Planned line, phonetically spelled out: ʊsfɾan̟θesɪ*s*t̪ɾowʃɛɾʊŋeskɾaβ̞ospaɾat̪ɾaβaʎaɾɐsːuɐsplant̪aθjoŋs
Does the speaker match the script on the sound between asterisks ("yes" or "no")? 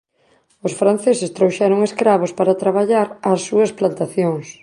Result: yes